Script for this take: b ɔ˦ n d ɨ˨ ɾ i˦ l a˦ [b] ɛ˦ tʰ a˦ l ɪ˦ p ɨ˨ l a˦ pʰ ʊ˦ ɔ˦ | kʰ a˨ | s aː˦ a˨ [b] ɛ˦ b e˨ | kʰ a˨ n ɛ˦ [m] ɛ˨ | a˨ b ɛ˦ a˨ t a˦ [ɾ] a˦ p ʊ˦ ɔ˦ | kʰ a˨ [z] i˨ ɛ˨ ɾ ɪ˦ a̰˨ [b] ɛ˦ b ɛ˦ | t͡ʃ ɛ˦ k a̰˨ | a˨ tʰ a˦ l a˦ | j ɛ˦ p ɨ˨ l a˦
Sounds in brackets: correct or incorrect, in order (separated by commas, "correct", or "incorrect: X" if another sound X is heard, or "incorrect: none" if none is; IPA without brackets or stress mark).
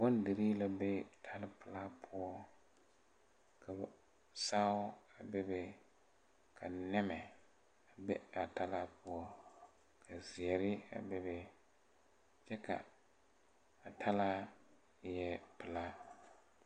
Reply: correct, correct, correct, incorrect: l, correct, correct